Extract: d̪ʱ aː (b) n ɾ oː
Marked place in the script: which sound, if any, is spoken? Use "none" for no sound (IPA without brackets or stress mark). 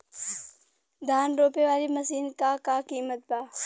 none